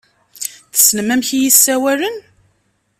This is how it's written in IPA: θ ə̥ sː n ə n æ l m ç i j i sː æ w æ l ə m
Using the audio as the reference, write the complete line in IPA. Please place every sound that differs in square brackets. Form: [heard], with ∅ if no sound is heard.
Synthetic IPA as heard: θ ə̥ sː n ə [m] æ [∅] m ç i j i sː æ w æ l ə [n]

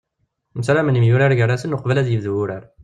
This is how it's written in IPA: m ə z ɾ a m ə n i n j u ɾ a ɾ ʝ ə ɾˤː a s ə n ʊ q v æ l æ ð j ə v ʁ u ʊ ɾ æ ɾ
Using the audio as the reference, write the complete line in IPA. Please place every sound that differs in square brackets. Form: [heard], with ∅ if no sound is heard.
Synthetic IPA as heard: m ə [s] ɾ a m ə n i [m] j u ɾ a ɾ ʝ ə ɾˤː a s ə n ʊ q v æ l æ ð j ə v [ð] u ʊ ɾ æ ɾ

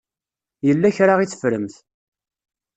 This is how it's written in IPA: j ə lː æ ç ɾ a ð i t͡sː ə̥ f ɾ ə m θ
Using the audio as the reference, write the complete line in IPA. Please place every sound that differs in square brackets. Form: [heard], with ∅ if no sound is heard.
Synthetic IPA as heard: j ə lː æ ç ɾ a [ʁ] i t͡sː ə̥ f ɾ ə m θ

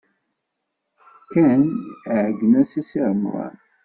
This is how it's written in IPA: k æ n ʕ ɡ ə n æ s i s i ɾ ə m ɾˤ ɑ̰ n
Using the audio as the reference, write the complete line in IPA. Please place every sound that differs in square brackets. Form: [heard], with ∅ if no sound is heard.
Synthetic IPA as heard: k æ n ʕ ɡ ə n æ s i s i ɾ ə m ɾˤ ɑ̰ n

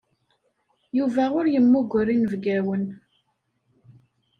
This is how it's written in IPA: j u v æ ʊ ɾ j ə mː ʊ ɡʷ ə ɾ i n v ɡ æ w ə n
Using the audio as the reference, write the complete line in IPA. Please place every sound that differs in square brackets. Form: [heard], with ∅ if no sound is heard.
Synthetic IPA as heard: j u v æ ʊ ɾ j ə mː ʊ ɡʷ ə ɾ i n v ɡ æ w ə n

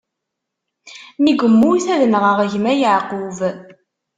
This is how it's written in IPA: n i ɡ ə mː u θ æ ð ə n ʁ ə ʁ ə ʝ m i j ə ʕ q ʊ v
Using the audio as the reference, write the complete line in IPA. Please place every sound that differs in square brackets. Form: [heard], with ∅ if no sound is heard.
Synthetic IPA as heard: n i ɡ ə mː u θ æ ð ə n ʁ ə ʁ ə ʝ m [æ] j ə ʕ q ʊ v

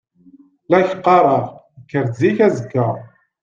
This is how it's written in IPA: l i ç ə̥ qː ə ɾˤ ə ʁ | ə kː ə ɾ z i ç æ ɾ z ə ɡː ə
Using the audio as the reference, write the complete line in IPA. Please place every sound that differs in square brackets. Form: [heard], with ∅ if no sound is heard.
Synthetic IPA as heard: l [æ] ç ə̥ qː [ɑ] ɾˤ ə ʁ | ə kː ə ɾ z i ç æ [∅] z ə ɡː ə

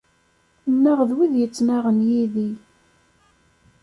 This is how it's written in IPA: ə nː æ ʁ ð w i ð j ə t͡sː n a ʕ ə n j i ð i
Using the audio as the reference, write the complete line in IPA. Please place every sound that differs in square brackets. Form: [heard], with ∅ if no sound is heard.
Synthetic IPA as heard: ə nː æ ʁ ð w i ð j ə t͡sː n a [ʁ] ə n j i ð i

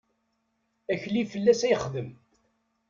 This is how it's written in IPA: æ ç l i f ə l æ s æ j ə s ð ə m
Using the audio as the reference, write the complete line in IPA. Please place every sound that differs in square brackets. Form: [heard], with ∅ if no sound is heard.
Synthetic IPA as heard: æ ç l i f ə [lː] æ s æ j ə [χ] ð ə m

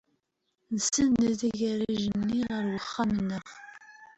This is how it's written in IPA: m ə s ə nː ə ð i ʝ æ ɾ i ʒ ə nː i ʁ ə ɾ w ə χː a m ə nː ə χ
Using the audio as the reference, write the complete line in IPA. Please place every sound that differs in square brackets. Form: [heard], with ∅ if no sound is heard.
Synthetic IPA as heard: [n] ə s ə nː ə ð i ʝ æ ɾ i ʒ ə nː i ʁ ə ɾ w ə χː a m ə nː ə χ

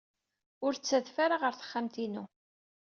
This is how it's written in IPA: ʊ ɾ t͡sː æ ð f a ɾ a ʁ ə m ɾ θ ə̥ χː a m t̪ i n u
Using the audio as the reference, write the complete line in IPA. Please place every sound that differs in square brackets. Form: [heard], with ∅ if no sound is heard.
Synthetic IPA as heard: ʊ ɾ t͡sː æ ð f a ɾ a ʁ ə [∅] ɾ θ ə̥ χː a m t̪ i n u

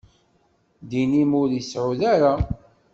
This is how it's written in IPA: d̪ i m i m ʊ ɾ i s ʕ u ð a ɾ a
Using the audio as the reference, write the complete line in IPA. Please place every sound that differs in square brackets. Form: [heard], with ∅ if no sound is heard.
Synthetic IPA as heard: d̪ i [n] i m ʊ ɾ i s ʕ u ð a ɾ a

